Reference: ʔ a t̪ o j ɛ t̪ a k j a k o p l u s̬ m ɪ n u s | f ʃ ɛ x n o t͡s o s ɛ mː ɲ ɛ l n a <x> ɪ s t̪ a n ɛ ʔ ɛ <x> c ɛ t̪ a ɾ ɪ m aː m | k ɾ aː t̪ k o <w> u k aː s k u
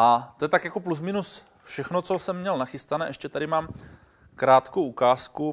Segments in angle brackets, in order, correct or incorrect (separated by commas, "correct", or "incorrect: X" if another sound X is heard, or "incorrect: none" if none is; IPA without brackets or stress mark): correct, incorrect: ʃ, correct